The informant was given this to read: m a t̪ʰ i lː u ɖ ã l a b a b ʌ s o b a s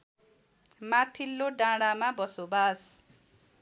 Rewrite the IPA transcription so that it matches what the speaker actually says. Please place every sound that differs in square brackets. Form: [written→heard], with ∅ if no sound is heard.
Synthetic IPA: m a t̪ʰ i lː [u→o] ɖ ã [l→ɽ] a [b→m] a b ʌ s o b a s